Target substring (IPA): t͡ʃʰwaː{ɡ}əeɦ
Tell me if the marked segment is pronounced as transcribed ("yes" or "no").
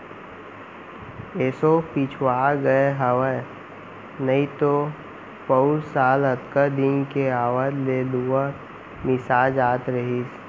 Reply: yes